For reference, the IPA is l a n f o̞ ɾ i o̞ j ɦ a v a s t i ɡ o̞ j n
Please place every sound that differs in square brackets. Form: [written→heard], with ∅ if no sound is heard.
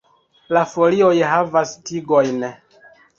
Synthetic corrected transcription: l a [n→∅] f o̞ [ɾ→l] i o̞ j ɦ a v a s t i ɡ o̞ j n